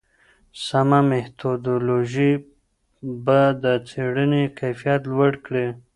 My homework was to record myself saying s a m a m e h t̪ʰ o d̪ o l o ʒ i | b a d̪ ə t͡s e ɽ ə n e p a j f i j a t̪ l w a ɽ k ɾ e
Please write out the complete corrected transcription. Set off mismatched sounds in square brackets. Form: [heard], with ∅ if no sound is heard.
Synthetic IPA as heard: s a m a m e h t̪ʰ o d̪ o l o ʒ i | b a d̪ ə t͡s e ɽ ə n e [k] a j f i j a t̪ l w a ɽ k [ɽ] e